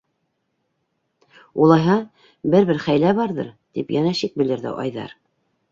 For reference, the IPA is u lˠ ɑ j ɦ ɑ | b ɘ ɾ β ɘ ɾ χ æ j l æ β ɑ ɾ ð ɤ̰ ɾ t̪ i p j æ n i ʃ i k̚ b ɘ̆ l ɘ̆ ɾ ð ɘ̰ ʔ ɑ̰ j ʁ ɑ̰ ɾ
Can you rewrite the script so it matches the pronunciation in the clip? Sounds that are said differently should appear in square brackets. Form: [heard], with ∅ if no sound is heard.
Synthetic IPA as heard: u lˠ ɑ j ɦ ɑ | b ɘ ɾ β ɘ ɾ χ æ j l æ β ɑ ɾ ð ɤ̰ ɾ t̪ i p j æ n [æ] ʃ i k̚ b ɘ̆ l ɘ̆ ɾ ð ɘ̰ ʔ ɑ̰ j [ð] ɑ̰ ɾ